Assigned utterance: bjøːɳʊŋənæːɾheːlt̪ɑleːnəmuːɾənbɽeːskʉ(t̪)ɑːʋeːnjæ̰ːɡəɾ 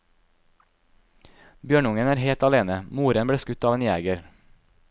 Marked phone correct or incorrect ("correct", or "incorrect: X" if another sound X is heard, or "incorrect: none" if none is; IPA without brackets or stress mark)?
correct